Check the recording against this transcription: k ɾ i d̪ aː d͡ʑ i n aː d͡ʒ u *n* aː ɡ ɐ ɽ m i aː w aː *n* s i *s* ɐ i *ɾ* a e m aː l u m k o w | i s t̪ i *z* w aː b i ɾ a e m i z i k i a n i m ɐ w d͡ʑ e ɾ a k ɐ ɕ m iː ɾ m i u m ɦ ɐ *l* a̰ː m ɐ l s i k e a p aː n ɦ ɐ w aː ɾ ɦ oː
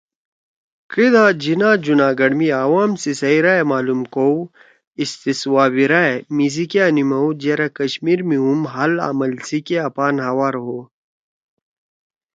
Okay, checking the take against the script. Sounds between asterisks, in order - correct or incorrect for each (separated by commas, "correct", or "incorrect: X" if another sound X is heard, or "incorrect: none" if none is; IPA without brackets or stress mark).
correct, incorrect: m, correct, correct, incorrect: s, correct